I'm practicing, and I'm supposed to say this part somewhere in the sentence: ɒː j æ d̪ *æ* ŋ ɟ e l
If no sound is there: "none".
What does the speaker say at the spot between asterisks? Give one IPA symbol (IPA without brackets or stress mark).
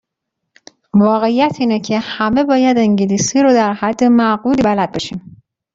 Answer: e